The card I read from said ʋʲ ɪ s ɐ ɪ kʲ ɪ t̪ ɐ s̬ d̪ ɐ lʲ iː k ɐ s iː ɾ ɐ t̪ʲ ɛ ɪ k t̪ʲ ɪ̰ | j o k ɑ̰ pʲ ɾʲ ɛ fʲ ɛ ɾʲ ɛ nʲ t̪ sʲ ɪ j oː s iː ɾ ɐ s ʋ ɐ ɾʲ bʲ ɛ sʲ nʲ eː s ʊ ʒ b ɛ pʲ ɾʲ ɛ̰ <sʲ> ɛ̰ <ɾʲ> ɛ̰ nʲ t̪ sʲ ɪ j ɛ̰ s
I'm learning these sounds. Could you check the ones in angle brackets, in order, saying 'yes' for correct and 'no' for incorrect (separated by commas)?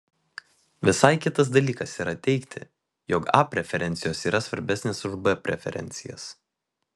no, yes